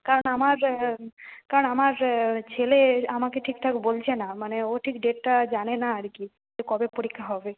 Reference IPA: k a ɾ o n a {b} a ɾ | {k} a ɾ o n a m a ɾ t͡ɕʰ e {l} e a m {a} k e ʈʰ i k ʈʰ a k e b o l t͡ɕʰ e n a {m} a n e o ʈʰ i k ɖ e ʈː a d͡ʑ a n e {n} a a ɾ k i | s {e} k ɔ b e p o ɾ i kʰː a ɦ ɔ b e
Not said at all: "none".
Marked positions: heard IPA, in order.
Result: m, k, l, a, m, n, e

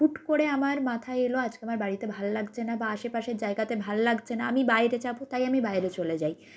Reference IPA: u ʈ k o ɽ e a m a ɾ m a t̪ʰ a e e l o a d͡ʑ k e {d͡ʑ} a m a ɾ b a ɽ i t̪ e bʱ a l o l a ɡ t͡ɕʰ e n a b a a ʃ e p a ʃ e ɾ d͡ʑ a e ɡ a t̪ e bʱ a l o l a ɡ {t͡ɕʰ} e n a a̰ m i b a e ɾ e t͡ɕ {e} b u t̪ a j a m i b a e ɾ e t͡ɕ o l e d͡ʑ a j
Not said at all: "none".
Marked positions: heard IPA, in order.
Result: none, t͡ɕʰ, a

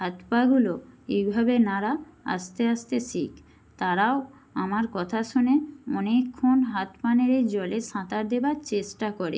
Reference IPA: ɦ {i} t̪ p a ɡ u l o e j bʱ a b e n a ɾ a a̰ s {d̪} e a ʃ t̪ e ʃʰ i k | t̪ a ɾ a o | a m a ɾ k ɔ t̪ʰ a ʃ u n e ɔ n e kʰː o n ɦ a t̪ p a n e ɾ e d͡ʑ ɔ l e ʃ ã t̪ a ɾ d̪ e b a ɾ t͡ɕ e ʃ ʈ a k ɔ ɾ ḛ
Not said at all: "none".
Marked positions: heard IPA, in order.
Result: a, t̪

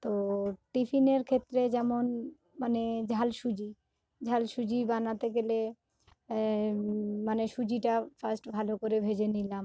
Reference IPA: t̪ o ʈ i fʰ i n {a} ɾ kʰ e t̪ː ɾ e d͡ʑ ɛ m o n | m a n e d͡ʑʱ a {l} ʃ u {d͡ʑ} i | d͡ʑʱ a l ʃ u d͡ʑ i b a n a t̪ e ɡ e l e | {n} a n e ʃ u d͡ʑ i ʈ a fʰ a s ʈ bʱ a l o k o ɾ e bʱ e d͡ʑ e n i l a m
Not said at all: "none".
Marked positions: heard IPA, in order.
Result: e, l, d͡ʑ, m

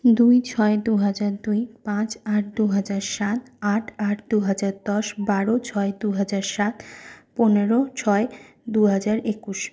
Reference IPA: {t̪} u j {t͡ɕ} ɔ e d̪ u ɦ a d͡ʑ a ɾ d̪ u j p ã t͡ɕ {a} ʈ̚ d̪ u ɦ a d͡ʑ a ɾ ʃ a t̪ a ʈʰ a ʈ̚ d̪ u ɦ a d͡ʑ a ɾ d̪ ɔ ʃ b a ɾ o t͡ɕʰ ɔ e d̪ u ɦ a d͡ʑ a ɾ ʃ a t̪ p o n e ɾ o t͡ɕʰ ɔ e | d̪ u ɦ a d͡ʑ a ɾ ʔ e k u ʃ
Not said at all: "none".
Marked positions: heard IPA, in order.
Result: d̪, t͡ɕʰ, a

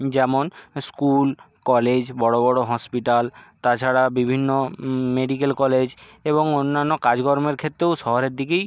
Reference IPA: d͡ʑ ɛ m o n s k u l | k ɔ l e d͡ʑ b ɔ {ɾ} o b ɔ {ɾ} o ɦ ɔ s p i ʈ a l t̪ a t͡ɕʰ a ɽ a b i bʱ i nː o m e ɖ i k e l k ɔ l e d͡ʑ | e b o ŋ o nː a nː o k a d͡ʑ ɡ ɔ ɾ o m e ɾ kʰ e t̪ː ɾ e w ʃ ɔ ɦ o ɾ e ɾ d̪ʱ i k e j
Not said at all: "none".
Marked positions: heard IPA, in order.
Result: ɽ, ɽ

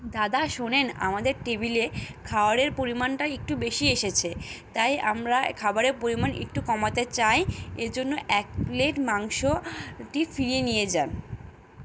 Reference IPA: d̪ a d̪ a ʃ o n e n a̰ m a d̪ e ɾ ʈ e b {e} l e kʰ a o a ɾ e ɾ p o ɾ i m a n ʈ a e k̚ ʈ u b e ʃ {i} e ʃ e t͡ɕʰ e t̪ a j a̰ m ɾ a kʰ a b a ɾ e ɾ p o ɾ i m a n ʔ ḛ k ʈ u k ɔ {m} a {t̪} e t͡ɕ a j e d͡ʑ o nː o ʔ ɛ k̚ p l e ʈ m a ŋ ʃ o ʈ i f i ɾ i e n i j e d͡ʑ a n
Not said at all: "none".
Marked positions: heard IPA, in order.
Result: i, i, m, t̪

